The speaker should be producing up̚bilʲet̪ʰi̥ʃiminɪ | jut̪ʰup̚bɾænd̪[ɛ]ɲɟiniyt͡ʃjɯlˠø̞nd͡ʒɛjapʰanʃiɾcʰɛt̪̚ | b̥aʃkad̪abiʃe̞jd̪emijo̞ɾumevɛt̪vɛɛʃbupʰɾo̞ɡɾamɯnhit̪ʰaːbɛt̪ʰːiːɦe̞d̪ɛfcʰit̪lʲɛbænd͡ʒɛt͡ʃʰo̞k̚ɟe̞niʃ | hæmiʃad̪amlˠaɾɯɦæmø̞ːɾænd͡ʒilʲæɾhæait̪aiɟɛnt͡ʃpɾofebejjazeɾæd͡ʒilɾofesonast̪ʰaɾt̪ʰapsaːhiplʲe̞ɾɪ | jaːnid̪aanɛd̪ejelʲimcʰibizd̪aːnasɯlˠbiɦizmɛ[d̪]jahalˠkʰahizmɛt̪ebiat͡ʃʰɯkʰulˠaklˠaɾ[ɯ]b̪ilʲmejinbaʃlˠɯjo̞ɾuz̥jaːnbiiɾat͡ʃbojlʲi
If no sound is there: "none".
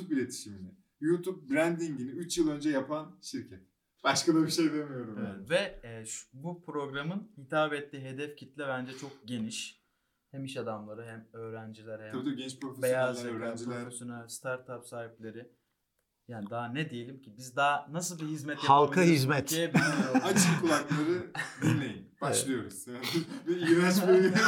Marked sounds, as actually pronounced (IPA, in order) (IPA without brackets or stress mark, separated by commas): i, t̪, ɯ